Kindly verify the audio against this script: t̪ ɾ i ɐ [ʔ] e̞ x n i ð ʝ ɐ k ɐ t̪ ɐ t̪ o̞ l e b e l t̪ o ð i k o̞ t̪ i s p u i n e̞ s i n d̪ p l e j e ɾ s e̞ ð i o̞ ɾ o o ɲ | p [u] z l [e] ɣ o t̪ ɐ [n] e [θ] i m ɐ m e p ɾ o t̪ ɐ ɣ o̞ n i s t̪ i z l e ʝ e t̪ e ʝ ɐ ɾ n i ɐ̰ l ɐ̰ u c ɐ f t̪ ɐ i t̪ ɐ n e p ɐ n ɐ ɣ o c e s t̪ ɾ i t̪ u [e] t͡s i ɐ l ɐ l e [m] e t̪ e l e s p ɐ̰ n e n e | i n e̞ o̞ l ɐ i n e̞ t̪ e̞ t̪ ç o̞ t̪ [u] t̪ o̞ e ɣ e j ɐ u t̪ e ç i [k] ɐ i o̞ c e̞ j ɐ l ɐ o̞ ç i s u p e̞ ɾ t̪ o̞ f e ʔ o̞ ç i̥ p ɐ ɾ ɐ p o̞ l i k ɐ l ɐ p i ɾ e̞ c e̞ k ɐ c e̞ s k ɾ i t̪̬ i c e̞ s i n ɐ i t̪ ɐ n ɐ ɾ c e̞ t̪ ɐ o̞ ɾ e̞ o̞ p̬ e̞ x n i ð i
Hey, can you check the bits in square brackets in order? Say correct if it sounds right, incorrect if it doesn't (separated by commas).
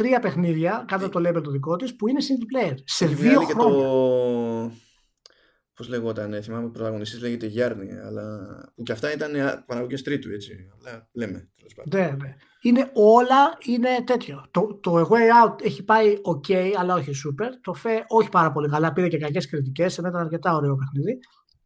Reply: incorrect, incorrect, correct, correct, correct, correct, correct, incorrect, incorrect